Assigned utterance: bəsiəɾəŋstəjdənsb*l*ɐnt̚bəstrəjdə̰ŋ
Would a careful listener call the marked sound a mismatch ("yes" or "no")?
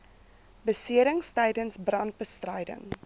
yes